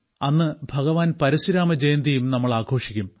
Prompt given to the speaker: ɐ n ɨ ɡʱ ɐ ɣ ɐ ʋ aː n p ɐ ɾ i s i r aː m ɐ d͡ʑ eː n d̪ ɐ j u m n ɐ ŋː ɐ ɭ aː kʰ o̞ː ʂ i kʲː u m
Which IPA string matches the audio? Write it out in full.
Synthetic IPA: ɐ nː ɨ bʱ ɐ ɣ ɐ ʋ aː n p ɐ ɾ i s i ɾ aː m ɐ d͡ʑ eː n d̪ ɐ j u m n ɐ mː ɐ ɭ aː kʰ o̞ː ʂ i kʲː u m